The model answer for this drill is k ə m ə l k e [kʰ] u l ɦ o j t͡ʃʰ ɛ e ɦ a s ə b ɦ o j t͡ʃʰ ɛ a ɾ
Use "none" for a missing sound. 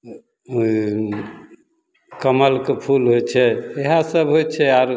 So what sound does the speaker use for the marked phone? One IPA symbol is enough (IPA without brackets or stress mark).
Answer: pʰ